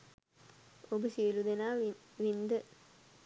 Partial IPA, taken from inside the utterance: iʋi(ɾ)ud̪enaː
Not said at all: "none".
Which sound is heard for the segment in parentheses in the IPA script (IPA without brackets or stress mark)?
l